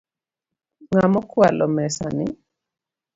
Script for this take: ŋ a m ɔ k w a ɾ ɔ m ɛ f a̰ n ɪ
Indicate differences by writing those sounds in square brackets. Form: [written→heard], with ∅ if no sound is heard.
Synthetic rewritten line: ŋ a m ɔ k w a [ɾ→l] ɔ m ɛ [f→s] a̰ n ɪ

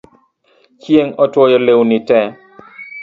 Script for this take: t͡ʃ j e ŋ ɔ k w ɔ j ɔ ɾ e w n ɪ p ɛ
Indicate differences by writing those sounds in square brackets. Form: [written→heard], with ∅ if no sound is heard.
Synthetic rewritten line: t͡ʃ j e ŋ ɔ [k→t] w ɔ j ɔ [ɾ→l] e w n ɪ [p→t] ɛ

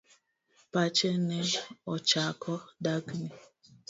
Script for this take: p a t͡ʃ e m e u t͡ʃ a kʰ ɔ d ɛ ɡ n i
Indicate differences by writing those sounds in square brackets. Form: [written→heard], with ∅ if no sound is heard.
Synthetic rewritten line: p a t͡ʃ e [m→n] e [u→ɔ] t͡ʃ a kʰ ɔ d [ɛ→a] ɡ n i

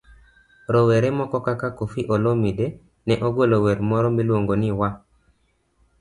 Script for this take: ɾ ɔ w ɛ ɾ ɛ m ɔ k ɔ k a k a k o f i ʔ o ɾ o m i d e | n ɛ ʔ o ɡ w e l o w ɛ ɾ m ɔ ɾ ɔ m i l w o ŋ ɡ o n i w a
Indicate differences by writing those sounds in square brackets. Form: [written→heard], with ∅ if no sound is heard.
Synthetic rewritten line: ɾ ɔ w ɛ ɾ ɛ m ɔ k ɔ k a k a k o f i ʔ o [ɾ→l] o m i d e | n ɛ ʔ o ɡ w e l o w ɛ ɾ m ɔ ɾ ɔ m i l w o ŋ ɡ o n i w a

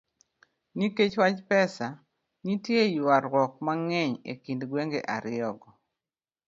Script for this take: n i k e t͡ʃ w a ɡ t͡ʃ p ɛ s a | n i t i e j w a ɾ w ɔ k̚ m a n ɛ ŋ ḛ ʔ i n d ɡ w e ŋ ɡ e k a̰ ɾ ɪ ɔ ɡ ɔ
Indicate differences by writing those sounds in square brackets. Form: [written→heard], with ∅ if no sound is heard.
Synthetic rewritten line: n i k e t͡ʃ w a [ɡ→∅] t͡ʃ p ɛ s a | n i t [i→j] e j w a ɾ w ɔ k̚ m a [n→ŋ] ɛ [ŋ→ɲ] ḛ [ʔ→k] i n d ɡ w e ŋ ɡ e [k→ʔ] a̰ ɾ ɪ ɔ ɡ ɔ

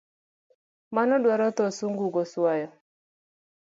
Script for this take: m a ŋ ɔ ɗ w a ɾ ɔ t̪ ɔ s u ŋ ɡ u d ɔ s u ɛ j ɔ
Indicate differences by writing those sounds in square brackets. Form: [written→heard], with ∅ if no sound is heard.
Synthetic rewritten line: m a [ŋ→n] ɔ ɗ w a ɾ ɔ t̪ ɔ s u ŋ ɡ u [d→ɡ] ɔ s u [ɛ→a] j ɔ

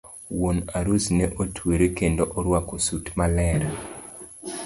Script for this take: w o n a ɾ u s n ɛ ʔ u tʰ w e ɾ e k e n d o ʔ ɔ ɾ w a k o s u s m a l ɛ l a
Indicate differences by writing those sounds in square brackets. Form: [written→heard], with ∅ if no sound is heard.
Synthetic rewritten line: w o n a ɾ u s n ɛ ʔ [u→o] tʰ w e ɾ e k e n d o ʔ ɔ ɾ w a k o s u [s→t] m a l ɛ [l→ɾ] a

